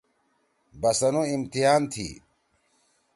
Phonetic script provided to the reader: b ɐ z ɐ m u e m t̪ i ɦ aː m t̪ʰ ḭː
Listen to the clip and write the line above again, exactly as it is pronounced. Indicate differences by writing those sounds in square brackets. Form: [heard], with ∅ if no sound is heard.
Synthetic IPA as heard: b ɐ [s] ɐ [n] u [i] m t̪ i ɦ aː [n] t̪ʰ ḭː